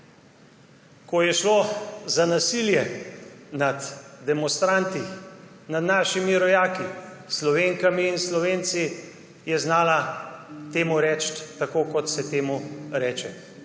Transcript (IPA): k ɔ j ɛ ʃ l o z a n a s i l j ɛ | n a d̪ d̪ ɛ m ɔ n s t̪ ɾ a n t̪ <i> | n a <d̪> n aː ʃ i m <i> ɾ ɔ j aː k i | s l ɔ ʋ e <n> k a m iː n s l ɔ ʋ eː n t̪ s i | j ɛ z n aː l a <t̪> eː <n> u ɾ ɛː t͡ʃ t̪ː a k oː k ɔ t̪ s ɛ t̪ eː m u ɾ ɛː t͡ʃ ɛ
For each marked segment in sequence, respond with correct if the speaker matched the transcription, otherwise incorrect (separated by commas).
correct, correct, correct, incorrect, correct, incorrect